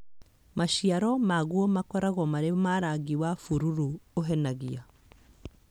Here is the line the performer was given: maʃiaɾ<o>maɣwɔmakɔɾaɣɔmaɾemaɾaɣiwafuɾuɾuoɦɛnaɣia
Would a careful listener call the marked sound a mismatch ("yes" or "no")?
yes